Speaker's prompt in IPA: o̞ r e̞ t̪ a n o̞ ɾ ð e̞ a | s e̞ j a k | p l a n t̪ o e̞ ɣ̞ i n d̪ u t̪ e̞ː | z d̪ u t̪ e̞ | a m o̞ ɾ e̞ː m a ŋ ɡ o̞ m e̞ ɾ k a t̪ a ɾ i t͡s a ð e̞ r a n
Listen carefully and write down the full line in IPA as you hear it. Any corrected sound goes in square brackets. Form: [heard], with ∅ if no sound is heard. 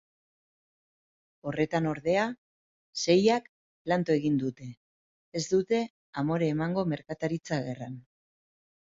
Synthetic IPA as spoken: o̞ r e̞ t̪ a n o̞ ɾ ð e̞ a | s e̞ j a k | p l a n t̪ o e̞ ɣ̞ i n d̪ u t̪ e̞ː | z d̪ u t̪ e̞ | a m o̞ ɾ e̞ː m a ŋ ɡ o̞ m e̞ ɾ k a t̪ a ɾ i t͡s a [ɣ] e̞ r a n